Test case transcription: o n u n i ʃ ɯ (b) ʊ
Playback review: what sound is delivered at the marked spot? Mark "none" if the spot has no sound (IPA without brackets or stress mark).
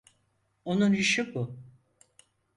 b